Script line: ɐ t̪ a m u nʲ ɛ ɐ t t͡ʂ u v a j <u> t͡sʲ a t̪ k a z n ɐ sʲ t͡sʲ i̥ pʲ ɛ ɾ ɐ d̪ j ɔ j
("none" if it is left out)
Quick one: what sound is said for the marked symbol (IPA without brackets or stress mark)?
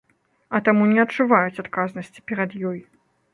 u